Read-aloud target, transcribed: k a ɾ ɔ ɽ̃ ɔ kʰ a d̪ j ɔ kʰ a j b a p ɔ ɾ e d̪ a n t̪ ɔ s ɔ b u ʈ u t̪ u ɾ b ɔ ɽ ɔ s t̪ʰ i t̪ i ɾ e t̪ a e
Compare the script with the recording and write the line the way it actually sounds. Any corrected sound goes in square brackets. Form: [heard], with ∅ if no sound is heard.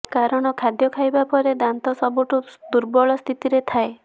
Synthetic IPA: k a ɾ ɔ ɽ̃ ɔ kʰ a d̪ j ɔ kʰ a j b a p ɔ ɾ e d̪ a n t̪ ɔ s ɔ b u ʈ u [d̪] u ɾ b ɔ [ɭ] ɔ s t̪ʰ i t̪ i ɾ e [t̪ʰ] a e

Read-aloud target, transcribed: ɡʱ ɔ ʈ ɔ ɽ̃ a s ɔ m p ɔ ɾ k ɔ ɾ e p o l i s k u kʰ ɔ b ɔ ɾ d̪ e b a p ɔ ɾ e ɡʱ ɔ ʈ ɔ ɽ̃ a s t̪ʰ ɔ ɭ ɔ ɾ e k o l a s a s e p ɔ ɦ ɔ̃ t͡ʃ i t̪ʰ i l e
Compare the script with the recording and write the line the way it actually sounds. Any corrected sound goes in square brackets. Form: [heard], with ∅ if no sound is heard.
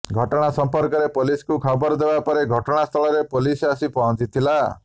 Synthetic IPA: ɡʱ ɔ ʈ ɔ ɽ̃ a s ɔ m p ɔ ɾ k ɔ ɾ e p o l i s k u kʰ ɔ b ɔ ɾ d̪ e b a p ɔ ɾ e ɡʱ ɔ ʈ ɔ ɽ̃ a s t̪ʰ ɔ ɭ ɔ ɾ e [p] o l [i] s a s [i] p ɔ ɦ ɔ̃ t͡ʃ i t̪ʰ i l [a]

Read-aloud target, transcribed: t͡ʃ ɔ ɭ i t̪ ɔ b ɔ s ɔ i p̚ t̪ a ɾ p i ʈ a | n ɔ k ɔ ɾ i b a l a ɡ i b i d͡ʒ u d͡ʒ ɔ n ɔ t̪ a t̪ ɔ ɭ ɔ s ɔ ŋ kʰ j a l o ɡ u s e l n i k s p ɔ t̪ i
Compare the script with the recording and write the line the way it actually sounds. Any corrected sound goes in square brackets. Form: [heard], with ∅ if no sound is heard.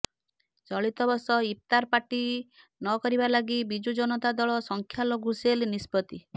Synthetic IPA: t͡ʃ ɔ ɭ i t̪ ɔ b ɔ s ɔ i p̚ t̪ a ɾ p [a] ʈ [i] | n ɔ k ɔ ɾ i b a l a ɡ i b i d͡ʒ u d͡ʒ ɔ n ɔ t̪ a [d̪] ɔ ɭ ɔ s ɔ ŋ kʰ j a l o ɡ u s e l n i [∅] s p ɔ t̪ i

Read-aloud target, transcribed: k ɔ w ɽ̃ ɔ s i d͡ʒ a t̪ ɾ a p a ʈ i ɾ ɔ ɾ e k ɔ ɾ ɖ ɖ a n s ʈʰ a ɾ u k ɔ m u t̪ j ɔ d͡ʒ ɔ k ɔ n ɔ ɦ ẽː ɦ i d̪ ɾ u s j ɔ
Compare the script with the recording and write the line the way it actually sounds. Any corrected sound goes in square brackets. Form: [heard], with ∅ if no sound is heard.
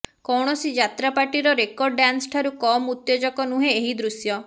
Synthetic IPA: k ɔ w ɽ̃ ɔ s i d͡ʒ a t̪ ɾ a p a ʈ i ɾ ɔ ɾ e k ɔ ɾ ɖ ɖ a n s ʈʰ a ɾ u k ɔ m u t̪ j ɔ d͡ʒ ɔ k ɔ n [u] ɦ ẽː ɦ i d̪ ɾ u s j ɔ

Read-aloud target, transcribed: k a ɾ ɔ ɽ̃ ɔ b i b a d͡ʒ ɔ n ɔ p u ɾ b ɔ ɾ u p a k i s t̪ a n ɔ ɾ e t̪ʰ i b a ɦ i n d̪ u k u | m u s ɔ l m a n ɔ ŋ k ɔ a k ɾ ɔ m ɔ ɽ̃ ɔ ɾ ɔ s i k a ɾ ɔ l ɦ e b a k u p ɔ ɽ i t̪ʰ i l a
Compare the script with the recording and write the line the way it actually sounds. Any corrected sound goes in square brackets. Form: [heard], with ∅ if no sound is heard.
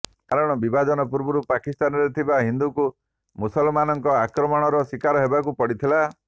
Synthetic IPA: k a ɾ ɔ ɽ̃ ɔ b i b a d͡ʒ ɔ n ɔ p u ɾ b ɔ ɾ u p a k i s t̪ a n ɔ ɾ e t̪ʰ i b a ɦ i n d̪ u k u | m u s ɔ l m a n ɔ ŋ k ɔ a k ɾ ɔ m ɔ ɽ̃ ɔ ɾ ɔ s i k a ɾ ɔ [∅] ɦ e b a k u p ɔ ɽ i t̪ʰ i l a

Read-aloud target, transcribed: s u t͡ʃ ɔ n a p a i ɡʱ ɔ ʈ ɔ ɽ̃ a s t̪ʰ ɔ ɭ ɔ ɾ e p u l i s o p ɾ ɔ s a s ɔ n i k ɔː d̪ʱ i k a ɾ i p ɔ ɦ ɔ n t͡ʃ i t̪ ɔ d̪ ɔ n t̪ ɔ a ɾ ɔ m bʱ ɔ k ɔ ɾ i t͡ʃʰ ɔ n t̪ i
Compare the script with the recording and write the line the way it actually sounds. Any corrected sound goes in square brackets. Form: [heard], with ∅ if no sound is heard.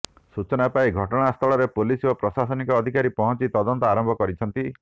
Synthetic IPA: s u t͡ʃ ɔ n a p a i ɡʱ ɔ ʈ ɔ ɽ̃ a s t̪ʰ ɔ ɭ ɔ ɾ e p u l i s o p ɾ ɔ s a s ɔ n i k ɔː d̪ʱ i k a ɾ i p ɔ ɦ ɔ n t͡ʃ i t̪ ɔ d̪ ɔ n t̪ ɔ a ɾ ɔ m bʱ ɔ k ɔ ɾ i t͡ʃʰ ɔ n t̪ i

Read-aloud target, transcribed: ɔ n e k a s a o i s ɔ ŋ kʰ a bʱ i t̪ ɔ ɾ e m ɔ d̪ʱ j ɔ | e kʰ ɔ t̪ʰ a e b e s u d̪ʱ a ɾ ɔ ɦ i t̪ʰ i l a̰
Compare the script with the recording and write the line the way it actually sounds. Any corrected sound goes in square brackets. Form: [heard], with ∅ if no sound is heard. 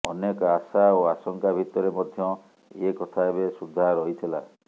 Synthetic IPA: ɔ n e k a s a o [a] s ɔ ŋ [k] a bʱ i t̪ ɔ ɾ e m ɔ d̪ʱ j ɔ | e [k] ɔ t̪ʰ a e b e s u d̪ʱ a ɾ ɔ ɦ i t̪ʰ i l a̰

